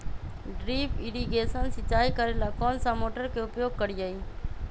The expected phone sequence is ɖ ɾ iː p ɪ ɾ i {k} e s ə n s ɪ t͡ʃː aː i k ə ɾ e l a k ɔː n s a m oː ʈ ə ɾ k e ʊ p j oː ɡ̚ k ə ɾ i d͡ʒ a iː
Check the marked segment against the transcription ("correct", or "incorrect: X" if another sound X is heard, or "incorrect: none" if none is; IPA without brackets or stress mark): incorrect: ɡ